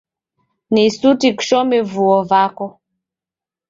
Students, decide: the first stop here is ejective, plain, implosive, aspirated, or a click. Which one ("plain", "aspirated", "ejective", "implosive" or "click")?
plain